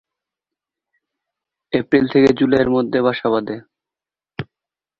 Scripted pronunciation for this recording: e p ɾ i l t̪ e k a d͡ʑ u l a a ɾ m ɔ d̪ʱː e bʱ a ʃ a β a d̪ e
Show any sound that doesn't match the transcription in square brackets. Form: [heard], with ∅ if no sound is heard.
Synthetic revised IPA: e p ɾ i l [t̪ʰ] e k [e] d͡ʑ u l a [e] ɾ m [o] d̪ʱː e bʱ a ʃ a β a d̪ e